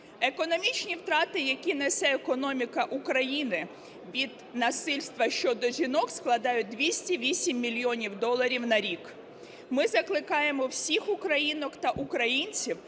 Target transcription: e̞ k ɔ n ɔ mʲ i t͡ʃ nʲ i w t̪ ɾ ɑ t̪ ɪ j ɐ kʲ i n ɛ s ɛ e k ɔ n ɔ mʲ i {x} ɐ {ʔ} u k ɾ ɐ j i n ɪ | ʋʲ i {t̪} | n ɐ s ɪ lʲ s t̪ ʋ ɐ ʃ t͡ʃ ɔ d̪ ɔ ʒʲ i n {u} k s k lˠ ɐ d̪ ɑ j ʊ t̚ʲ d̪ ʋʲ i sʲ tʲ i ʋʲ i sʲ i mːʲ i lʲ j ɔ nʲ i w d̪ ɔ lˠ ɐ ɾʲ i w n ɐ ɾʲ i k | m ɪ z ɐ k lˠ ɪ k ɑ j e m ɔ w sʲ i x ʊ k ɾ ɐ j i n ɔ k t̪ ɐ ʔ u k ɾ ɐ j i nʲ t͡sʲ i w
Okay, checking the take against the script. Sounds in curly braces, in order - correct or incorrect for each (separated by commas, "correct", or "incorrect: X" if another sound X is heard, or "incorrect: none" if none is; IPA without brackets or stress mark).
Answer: incorrect: k, correct, incorrect: d̪, incorrect: ɔ